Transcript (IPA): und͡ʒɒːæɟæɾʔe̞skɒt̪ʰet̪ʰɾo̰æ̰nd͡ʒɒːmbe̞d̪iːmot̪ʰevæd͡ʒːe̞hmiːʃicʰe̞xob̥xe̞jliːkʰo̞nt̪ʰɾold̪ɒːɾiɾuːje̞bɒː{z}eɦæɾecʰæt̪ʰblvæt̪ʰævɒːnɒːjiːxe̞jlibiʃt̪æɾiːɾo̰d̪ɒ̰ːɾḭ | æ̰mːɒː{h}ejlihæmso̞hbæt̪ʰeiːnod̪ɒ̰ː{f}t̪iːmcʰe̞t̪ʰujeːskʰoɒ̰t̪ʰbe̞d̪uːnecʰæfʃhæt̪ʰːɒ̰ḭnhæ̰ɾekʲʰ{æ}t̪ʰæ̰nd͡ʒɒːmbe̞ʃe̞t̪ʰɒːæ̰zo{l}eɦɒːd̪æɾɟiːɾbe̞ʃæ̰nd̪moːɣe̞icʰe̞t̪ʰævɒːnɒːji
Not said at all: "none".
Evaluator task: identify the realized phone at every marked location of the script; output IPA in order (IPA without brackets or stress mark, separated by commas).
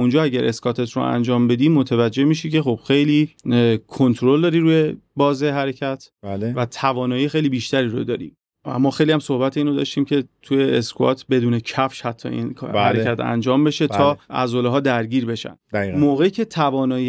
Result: z, x, ʃ, æ, l